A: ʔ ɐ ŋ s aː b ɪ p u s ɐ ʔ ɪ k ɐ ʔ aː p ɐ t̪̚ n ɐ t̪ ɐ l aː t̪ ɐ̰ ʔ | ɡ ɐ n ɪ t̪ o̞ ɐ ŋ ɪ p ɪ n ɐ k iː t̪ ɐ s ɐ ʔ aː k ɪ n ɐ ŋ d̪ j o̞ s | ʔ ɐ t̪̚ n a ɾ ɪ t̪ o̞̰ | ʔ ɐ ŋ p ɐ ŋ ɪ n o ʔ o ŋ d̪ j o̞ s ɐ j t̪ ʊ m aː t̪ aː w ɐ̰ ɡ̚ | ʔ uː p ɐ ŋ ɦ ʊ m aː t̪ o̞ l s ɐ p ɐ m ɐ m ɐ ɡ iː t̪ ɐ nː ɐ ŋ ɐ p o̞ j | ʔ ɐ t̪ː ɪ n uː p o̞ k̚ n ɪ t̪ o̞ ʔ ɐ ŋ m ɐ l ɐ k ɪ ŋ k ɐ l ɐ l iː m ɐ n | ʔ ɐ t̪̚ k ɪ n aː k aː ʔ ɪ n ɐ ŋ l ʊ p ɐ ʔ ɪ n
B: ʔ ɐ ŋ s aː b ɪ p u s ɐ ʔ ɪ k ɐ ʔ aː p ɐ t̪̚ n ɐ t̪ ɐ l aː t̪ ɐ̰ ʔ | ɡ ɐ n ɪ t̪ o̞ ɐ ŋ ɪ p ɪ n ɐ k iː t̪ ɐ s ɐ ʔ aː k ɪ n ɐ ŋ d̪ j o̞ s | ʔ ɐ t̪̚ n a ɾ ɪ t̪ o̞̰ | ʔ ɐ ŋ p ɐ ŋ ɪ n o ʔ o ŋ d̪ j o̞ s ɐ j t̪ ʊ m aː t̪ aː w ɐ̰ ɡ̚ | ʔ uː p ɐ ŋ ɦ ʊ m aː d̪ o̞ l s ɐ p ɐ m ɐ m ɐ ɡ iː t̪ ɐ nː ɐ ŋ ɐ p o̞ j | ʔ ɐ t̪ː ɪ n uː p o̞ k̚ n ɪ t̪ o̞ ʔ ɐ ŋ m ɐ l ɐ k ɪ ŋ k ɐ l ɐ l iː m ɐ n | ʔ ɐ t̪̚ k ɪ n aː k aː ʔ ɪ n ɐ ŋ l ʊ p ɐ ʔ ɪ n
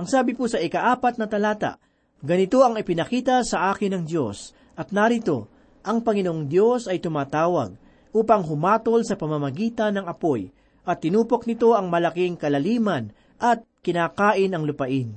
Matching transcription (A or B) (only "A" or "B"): A